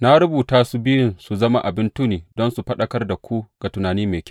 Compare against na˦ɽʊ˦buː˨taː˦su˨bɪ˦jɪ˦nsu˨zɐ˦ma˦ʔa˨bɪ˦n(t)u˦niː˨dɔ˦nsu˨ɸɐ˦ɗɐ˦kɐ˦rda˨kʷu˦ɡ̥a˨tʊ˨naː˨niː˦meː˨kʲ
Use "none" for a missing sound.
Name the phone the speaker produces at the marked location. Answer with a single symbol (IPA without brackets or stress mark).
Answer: t